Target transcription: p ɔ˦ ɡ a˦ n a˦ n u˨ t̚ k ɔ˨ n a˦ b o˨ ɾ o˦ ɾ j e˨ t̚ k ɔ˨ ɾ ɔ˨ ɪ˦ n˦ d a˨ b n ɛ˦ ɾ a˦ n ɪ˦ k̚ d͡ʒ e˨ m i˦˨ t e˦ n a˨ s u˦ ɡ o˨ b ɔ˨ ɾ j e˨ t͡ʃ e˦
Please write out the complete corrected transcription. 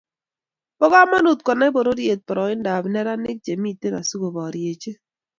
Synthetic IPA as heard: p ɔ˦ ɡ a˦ m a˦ n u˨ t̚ k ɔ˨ n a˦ b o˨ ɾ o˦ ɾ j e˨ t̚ p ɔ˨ ɾ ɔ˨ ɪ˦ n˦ d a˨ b n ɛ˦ ɾ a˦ n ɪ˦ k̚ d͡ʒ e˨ m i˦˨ t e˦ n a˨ s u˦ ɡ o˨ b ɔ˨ ɾ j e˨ t͡ʃ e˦